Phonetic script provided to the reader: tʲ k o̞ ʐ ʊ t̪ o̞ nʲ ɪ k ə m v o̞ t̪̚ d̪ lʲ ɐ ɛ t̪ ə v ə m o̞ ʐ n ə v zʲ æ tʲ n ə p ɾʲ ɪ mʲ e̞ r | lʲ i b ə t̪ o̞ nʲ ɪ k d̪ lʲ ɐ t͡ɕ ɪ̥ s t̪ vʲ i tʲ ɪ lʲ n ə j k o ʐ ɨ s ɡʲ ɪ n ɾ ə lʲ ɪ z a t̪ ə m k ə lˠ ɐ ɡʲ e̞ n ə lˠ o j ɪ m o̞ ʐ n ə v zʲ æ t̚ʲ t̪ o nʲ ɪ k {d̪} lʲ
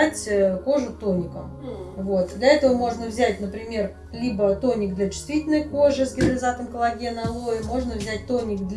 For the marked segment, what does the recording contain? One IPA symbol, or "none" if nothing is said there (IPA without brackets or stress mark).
d̪